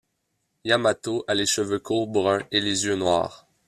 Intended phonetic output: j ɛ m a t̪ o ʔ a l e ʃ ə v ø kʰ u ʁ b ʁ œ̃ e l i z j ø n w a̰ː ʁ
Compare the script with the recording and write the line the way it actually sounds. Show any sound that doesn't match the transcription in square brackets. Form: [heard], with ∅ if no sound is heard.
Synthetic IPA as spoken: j [a] m a t̪ o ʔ a l e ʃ ə v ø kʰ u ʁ b ʁ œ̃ e l [e] z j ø n w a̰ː ʁ